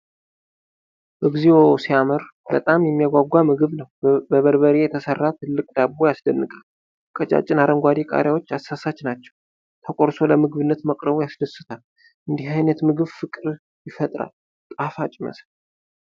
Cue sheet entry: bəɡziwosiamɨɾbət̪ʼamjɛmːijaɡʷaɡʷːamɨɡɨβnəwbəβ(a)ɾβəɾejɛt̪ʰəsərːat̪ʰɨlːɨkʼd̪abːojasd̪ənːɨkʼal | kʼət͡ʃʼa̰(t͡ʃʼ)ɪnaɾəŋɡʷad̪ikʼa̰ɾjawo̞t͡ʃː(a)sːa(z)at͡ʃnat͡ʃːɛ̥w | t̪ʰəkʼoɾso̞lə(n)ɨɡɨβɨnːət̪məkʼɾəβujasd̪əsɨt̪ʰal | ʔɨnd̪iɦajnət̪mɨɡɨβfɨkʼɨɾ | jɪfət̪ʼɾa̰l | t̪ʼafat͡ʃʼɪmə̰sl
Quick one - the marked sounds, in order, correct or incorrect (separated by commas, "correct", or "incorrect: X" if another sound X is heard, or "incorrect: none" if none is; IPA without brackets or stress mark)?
incorrect: ə, correct, correct, incorrect: s, incorrect: m